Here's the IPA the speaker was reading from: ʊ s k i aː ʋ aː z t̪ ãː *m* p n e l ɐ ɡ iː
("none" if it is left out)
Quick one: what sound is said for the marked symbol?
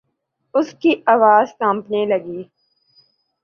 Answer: m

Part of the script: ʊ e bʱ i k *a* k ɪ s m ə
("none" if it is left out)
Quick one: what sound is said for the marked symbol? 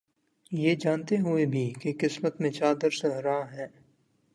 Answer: e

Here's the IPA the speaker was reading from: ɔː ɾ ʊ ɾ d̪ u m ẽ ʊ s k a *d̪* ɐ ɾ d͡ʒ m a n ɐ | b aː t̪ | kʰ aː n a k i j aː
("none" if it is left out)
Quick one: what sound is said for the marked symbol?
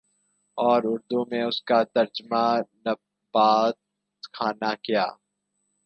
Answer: t̪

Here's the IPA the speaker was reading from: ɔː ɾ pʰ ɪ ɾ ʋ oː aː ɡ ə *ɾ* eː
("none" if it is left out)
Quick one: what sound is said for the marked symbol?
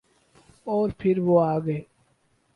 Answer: none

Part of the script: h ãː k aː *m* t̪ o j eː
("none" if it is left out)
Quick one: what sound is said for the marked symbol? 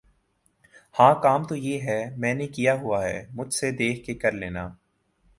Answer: m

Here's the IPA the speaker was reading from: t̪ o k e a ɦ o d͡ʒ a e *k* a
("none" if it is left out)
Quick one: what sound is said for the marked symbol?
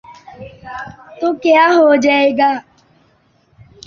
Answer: ɡ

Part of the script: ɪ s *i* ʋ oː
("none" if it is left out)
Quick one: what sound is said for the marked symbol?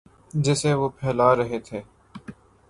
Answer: e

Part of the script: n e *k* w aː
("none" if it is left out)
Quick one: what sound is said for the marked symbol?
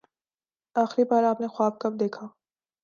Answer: x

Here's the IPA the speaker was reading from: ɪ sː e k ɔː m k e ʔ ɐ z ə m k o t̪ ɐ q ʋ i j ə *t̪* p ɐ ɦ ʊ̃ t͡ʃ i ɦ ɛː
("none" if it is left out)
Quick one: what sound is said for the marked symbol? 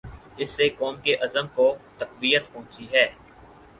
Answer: t̪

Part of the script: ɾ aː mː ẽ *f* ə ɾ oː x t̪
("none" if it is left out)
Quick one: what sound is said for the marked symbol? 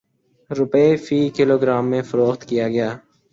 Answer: f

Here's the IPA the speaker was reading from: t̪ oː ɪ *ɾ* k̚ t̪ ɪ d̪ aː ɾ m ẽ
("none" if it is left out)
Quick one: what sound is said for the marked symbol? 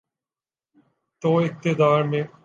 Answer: none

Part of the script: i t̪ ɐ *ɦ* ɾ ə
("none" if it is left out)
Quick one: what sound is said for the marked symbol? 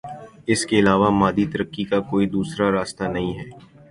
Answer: none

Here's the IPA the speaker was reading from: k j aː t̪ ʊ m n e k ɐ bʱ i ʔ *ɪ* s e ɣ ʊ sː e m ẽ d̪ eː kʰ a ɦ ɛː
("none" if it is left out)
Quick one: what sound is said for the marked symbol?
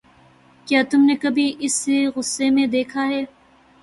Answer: ɪ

